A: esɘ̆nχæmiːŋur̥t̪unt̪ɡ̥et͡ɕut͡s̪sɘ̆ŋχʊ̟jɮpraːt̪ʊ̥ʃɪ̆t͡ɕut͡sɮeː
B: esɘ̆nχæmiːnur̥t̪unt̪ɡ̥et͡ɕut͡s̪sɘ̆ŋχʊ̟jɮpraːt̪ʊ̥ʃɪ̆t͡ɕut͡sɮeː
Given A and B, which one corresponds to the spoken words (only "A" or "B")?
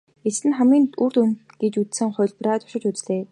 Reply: B